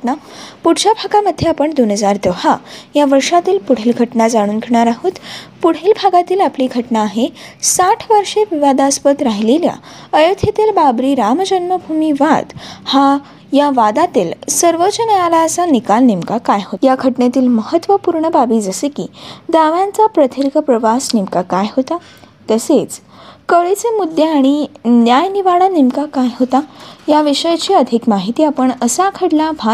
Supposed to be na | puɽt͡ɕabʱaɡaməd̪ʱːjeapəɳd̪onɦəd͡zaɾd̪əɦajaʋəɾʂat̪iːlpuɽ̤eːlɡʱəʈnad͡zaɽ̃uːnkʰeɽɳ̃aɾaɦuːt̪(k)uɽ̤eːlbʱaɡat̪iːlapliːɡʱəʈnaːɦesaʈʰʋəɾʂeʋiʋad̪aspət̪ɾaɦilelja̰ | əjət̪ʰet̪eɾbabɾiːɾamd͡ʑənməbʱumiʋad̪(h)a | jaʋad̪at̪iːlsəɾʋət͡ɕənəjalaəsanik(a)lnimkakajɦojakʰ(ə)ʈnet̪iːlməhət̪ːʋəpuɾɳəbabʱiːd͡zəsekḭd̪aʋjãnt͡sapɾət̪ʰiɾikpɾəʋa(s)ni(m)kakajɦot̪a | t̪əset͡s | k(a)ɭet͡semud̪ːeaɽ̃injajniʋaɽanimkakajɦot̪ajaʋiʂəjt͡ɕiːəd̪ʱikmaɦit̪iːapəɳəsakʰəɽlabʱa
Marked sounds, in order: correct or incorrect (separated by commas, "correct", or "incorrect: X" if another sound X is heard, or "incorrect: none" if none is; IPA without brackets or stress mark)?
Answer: incorrect: p, correct, correct, correct, correct, correct, incorrect: ə